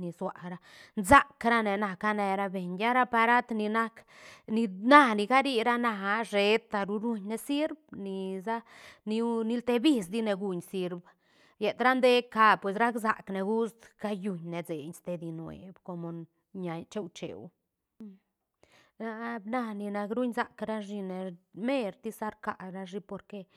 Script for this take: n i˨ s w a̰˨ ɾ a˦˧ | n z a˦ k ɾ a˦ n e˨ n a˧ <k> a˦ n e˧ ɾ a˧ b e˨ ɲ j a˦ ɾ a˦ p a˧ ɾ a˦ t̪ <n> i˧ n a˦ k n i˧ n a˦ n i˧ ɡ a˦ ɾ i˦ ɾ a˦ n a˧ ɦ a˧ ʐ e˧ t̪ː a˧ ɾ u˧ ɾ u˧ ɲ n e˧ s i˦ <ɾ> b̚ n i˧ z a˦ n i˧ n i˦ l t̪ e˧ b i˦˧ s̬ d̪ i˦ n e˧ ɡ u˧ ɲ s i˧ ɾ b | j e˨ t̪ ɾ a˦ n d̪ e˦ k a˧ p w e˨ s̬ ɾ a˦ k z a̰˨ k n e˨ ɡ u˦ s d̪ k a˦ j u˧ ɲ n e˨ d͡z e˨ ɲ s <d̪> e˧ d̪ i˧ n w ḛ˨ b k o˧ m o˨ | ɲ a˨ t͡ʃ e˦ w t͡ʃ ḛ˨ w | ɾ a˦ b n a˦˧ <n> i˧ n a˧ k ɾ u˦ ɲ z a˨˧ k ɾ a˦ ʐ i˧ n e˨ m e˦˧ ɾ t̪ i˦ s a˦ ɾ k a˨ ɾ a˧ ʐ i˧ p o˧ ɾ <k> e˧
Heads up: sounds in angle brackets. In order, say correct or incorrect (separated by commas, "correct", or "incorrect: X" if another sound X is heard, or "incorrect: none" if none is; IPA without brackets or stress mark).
correct, correct, correct, incorrect: t̪, correct, correct